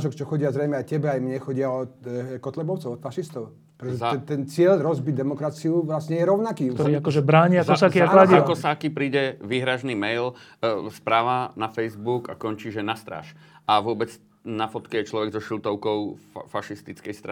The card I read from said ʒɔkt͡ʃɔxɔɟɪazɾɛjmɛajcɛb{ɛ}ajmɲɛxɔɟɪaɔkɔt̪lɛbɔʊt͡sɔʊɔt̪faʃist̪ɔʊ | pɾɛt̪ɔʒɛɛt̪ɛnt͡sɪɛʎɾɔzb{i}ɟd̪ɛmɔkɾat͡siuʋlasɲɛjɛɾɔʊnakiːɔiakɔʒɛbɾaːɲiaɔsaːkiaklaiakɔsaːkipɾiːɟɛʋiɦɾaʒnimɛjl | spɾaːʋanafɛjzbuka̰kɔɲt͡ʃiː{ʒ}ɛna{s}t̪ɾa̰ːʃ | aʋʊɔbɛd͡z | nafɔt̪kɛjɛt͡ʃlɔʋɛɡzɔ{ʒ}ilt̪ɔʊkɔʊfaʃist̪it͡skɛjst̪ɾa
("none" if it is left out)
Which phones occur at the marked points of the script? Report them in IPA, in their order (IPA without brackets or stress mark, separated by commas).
ɛ, i, ʒ, s, ʃ